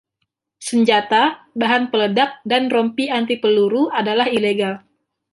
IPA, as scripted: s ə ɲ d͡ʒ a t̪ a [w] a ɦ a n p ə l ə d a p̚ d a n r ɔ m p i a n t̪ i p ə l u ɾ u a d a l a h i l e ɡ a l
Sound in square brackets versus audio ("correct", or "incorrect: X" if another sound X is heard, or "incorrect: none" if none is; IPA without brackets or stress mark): incorrect: b